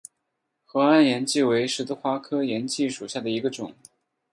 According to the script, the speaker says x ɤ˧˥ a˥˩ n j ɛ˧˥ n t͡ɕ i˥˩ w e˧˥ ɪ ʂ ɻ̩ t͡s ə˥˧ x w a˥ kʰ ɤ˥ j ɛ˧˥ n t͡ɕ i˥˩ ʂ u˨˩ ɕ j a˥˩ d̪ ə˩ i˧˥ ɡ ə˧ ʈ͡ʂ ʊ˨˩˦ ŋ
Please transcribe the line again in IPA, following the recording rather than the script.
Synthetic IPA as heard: x ɤ˧˥ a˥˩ n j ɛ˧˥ n t͡ɕ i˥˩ w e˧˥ ɪ ʂ ɻ̩ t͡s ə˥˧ x w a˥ kʰ ɤ˥ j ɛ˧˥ n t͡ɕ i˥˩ ʂ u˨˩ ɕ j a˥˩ d̪ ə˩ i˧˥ ɡ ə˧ ʈ͡ʂ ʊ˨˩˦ ŋ